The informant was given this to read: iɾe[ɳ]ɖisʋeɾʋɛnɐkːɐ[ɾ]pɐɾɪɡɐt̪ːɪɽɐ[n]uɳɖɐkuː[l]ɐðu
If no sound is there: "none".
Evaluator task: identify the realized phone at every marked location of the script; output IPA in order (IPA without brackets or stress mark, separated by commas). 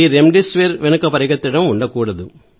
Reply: m, none, m, ɽ